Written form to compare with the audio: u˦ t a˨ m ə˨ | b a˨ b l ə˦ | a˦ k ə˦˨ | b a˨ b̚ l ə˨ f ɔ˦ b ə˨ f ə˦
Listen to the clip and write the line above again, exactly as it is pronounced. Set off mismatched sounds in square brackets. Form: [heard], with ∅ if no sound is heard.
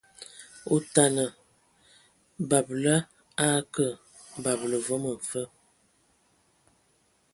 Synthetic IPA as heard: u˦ t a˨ [n] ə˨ | b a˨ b l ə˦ | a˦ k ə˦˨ | b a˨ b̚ l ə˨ [v] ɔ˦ [m] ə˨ f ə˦